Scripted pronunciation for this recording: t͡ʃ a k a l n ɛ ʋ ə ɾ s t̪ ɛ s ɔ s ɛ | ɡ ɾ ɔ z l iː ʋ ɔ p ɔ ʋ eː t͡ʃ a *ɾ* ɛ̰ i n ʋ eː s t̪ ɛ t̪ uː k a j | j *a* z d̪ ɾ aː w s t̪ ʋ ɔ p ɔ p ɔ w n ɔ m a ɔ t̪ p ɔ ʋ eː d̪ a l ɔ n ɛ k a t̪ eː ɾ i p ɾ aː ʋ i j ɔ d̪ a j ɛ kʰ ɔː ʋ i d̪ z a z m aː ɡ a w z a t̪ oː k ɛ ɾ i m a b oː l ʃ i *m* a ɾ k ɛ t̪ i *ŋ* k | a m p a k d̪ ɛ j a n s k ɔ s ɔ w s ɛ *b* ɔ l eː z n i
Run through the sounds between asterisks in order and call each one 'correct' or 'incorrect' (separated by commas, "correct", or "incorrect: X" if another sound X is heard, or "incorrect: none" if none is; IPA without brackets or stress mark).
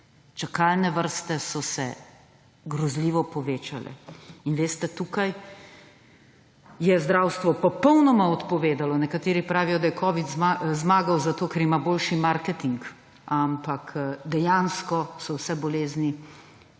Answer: incorrect: l, incorrect: ɛ, correct, correct, correct